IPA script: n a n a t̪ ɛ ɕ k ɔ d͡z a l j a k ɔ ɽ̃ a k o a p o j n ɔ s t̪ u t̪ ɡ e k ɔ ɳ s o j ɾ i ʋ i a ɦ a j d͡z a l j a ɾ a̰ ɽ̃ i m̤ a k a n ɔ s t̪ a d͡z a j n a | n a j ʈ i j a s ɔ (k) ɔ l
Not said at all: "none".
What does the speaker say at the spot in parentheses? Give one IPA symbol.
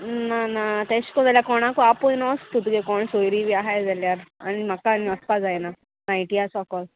k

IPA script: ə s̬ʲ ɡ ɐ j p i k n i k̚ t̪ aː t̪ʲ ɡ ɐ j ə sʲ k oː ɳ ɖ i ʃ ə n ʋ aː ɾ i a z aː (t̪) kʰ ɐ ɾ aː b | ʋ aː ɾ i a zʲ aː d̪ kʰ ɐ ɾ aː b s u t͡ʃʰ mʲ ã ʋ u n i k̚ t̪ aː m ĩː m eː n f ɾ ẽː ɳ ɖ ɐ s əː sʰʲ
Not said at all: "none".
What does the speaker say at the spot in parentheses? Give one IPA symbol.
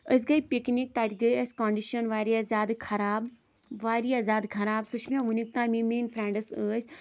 d̪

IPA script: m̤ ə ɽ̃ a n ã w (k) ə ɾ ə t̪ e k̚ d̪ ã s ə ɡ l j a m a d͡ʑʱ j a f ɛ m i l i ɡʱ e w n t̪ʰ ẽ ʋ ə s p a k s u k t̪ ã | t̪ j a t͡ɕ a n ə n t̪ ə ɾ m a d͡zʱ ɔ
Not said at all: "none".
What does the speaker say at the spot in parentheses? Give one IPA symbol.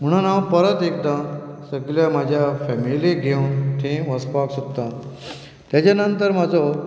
p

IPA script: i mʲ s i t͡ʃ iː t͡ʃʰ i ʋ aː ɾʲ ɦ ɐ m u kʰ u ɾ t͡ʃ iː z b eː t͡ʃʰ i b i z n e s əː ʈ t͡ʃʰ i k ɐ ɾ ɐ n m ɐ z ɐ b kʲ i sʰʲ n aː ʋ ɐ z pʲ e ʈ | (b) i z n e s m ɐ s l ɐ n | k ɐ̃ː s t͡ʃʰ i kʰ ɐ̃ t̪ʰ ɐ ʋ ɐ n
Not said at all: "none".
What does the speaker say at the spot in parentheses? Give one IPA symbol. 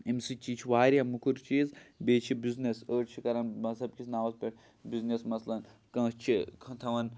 b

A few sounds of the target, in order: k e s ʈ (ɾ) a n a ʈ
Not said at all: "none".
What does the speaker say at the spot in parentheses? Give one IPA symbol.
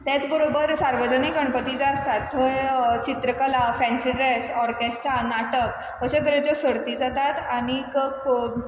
ɾ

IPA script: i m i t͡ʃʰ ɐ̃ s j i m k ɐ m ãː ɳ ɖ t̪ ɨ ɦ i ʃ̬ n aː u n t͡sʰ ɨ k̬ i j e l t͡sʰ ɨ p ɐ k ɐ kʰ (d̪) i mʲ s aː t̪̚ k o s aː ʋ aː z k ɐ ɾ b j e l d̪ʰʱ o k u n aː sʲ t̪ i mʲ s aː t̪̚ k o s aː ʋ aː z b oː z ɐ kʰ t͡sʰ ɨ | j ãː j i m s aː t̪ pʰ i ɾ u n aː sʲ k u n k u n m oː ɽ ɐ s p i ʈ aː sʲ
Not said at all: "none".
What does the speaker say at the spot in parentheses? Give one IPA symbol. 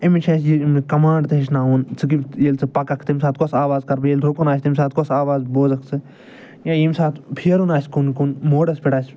t̪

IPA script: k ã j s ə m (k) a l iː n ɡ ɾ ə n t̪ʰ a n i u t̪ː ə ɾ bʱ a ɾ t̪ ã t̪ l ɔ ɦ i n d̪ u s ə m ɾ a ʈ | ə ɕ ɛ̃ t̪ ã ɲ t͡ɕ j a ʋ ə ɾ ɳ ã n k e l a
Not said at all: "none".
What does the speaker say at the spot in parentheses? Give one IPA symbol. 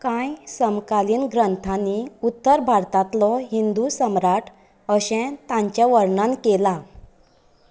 k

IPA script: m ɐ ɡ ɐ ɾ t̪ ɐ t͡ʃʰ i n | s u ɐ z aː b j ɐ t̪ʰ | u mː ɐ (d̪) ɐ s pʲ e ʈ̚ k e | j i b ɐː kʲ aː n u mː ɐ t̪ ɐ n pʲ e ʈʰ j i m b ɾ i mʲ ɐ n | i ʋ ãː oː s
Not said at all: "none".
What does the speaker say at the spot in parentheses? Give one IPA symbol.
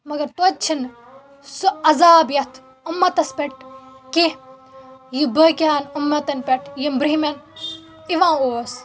t̪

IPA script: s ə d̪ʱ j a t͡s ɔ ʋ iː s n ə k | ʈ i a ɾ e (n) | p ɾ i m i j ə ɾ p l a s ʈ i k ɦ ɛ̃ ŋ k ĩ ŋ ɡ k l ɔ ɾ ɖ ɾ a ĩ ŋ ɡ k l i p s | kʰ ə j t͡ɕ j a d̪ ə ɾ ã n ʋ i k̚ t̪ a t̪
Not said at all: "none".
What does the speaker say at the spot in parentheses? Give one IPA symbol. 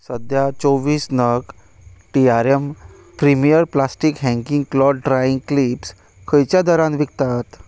m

